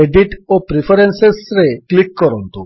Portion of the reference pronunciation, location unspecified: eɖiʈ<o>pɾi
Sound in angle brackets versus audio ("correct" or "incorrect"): correct